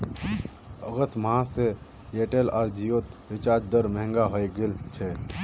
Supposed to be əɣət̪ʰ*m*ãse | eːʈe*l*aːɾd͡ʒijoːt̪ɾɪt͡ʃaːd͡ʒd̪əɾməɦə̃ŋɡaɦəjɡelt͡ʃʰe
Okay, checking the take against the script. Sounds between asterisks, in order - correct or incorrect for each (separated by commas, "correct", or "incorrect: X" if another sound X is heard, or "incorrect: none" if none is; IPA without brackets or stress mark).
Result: correct, correct